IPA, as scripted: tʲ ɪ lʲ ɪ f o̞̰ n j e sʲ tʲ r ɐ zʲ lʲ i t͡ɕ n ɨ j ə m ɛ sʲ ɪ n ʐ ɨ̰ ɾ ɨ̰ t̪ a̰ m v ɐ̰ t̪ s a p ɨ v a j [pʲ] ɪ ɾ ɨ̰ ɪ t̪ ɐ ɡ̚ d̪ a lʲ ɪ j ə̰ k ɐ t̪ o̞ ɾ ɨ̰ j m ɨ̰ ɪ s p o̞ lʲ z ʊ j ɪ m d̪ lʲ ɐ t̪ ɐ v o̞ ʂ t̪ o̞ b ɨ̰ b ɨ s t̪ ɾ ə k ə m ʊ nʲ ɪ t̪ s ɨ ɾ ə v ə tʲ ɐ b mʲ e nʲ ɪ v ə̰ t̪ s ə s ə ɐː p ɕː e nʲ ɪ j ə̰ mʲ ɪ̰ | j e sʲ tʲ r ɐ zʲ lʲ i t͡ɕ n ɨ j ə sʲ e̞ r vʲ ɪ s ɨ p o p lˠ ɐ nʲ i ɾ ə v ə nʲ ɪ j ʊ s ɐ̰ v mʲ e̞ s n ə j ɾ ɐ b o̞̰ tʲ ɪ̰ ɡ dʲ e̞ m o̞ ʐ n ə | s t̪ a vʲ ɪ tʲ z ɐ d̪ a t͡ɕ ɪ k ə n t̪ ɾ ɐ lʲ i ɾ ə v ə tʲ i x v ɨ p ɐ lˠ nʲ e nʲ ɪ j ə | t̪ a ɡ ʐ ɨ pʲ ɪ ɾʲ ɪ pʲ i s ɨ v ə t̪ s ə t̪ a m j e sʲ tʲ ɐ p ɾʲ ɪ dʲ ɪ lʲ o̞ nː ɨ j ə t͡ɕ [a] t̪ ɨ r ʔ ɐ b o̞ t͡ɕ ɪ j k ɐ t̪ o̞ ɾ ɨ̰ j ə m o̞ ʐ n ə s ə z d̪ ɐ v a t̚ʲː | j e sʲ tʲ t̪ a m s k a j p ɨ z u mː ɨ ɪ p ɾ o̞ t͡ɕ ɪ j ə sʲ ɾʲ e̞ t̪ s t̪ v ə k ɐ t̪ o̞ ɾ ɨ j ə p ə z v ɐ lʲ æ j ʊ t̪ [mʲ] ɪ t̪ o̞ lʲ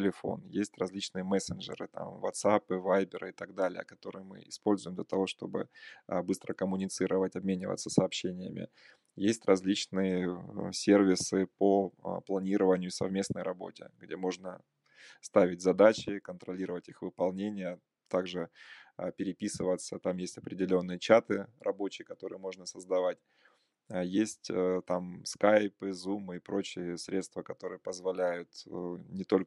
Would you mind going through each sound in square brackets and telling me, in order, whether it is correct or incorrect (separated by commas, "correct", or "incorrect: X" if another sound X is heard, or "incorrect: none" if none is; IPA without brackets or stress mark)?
incorrect: bʲ, correct, incorrect: nʲ